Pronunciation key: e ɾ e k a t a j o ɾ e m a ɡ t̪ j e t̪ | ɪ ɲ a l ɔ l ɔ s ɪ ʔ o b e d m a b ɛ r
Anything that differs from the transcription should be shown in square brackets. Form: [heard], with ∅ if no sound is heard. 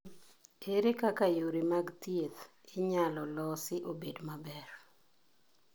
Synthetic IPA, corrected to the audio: e ɾ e k a [k] a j o ɾ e m a ɡ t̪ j e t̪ | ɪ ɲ a l ɔ l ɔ s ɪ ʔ o b e d m a b ɛ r